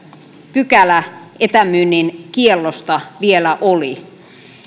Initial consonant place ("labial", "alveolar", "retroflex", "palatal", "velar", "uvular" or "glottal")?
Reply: labial